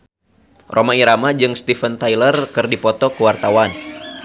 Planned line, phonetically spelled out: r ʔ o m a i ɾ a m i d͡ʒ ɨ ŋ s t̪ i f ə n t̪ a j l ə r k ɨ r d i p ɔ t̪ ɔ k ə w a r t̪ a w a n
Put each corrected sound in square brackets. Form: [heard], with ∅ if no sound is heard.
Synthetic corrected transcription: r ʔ o m a i ɾ a m [a] d͡ʒ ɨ ŋ s t̪ i f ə n t̪ a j l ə r k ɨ r d i p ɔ t̪ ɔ k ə w a r t̪ a w a n